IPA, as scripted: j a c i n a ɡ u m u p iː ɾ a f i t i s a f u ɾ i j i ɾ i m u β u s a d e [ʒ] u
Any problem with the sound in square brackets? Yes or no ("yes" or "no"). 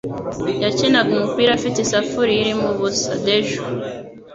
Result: no